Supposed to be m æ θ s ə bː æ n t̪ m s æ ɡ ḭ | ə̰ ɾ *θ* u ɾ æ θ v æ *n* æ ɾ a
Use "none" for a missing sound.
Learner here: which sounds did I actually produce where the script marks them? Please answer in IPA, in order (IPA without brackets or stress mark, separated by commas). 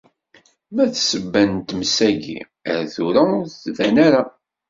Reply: θ, n